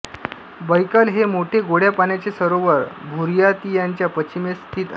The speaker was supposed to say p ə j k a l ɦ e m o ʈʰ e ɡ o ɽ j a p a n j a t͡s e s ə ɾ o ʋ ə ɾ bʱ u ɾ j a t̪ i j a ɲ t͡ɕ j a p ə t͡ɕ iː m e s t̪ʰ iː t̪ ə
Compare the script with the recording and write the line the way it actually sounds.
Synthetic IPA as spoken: b ə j k a l ɦ e m o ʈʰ e ɡ o ɽ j a p a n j a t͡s e s ə ɾ o ʋ ə ɾ bʱ u ɾ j a t̪ i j a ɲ t͡ɕ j a p ə t͡ɕ i m e s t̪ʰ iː t̪ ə